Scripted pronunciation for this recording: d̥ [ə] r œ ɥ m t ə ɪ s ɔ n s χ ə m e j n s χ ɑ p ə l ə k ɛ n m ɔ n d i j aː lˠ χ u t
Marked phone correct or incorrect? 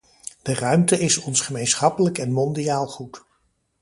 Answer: correct